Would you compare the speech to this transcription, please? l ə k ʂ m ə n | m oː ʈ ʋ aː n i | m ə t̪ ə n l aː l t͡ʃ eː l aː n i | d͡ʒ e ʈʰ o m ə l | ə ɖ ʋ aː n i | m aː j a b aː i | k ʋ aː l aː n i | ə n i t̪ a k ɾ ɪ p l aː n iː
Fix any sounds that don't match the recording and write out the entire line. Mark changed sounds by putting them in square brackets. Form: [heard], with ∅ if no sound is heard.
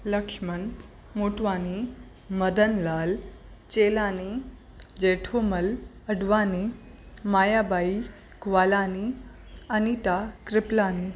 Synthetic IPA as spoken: l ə k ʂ m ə n | m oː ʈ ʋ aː n i | m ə [d̪] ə n l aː l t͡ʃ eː l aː n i | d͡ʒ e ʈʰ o m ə l | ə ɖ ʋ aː n i | m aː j a b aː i | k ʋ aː l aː n i | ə n i t̪ a k ɾ ɪ p l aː n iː